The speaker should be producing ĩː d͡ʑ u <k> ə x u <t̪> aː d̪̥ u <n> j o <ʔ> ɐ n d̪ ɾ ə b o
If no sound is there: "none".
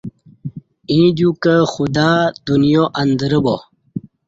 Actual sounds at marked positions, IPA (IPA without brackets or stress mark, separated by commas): k, d̪, n, ʔ